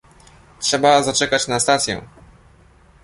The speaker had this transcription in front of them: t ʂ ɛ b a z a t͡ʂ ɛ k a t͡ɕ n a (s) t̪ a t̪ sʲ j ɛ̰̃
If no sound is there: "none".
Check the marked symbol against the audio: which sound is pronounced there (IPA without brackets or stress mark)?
s